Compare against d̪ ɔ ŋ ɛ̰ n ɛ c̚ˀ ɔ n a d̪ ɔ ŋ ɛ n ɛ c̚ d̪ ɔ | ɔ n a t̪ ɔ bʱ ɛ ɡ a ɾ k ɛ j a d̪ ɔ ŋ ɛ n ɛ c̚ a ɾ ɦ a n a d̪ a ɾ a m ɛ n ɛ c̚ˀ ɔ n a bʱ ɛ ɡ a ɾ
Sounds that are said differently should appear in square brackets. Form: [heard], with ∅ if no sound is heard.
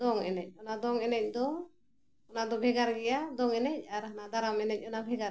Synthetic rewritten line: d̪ ɔ ŋ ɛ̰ n ɛ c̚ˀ ɔ n a d̪ ɔ ŋ ɛ n ɛ c̚ d̪ ɔ | ɔ n a [d̪] ɔ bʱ ɛ ɡ a ɾ [ɡ] ɛ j a d̪ ɔ ŋ ɛ n ɛ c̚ a ɾ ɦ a n a d̪ a ɾ a m ɛ n ɛ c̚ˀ ɔ n a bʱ ɛ ɡ a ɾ